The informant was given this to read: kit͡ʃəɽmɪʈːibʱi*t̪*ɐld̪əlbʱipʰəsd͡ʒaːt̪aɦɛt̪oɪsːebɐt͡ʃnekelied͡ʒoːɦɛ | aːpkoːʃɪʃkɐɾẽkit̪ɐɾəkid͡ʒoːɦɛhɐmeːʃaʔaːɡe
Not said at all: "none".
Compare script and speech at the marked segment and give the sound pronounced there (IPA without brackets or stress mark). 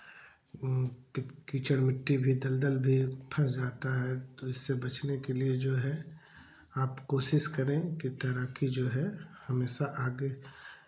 d̪